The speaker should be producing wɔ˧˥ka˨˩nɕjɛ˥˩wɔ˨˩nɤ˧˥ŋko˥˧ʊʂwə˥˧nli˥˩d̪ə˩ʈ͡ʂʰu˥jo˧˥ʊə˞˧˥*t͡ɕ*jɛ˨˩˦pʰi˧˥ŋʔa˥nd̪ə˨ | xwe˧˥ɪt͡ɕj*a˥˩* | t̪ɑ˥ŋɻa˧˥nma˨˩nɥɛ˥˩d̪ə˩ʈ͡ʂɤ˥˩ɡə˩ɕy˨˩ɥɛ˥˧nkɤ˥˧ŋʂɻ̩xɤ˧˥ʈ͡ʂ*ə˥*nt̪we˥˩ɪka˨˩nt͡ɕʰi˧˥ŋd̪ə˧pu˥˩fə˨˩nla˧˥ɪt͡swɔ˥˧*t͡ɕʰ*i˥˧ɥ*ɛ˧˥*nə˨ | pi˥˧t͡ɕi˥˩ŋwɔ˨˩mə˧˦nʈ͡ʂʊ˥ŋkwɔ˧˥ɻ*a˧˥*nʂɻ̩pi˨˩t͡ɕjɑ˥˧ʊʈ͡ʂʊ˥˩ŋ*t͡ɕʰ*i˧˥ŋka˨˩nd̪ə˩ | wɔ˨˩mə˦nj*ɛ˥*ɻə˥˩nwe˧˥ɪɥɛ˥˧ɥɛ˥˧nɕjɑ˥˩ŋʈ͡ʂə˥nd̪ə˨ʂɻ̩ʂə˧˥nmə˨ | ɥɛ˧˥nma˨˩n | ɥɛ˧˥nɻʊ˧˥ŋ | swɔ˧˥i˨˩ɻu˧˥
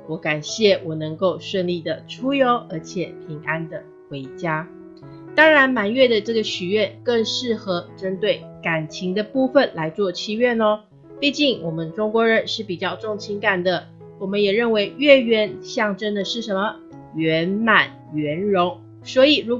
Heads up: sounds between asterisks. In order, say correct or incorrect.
incorrect: t͡ɕʰ, incorrect: a˥, correct, correct, incorrect: ɛ˥˩, incorrect: ə˧˥, correct, incorrect: ɛ˨˩

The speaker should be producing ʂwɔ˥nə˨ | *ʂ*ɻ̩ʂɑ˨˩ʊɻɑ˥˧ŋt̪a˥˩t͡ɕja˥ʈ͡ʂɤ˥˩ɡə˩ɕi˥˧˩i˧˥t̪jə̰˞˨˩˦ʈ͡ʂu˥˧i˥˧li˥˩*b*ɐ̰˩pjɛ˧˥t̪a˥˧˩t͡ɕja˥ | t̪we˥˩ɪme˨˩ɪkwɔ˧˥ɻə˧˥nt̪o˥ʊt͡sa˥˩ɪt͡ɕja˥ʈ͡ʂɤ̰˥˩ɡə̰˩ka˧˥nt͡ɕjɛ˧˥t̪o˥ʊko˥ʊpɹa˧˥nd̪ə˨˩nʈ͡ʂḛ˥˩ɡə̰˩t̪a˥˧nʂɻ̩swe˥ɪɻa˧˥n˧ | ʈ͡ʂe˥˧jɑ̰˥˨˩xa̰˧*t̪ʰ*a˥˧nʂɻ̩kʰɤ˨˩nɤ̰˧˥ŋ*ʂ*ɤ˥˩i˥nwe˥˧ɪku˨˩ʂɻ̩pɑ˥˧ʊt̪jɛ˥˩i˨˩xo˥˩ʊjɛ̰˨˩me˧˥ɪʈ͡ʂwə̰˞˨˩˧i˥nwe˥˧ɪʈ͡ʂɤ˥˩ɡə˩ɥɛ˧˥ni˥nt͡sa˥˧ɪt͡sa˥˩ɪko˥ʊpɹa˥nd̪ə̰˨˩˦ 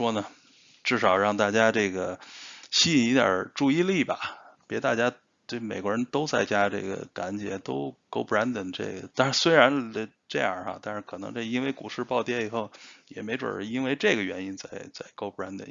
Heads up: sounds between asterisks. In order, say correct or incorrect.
incorrect: ʈ͡ʂ, correct, incorrect: t̪, incorrect: ʈ͡ʂ

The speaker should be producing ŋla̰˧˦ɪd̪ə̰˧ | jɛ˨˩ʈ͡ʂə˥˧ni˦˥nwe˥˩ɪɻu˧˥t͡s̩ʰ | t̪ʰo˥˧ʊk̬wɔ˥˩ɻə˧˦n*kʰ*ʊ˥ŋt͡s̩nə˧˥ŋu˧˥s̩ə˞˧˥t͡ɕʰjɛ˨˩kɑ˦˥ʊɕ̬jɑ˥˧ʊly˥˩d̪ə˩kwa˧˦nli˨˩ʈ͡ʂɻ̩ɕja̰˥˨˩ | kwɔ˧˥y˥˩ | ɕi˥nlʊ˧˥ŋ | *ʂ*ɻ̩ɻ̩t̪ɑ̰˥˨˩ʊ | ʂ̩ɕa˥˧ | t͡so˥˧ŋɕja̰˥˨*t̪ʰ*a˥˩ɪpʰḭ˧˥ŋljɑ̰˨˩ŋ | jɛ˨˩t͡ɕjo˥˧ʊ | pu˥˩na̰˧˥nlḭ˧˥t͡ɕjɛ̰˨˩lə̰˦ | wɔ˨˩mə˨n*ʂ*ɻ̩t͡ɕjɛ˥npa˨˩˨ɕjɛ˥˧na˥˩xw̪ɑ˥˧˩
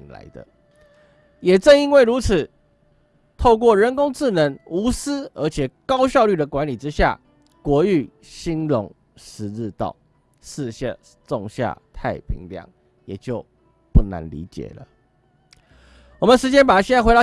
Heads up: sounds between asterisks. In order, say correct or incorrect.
incorrect: k, correct, correct, correct

